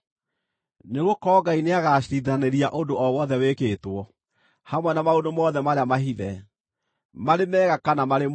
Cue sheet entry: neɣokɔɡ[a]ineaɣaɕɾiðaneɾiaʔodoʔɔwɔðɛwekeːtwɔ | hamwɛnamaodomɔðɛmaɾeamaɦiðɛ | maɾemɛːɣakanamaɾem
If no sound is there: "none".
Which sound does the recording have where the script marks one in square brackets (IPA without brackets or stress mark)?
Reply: a